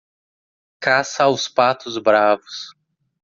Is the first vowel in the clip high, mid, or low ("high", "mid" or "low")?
low